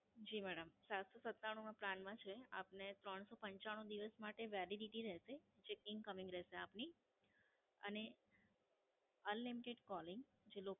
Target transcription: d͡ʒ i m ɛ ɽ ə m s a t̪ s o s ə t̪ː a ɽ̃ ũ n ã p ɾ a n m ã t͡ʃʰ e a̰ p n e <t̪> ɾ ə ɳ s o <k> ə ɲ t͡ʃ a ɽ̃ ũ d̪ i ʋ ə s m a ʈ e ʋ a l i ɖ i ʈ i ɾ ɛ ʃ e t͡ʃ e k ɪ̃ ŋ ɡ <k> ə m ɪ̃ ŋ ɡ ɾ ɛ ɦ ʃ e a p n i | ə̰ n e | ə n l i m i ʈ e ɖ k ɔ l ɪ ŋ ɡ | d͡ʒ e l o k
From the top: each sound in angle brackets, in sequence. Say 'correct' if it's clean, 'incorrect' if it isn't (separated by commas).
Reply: correct, incorrect, correct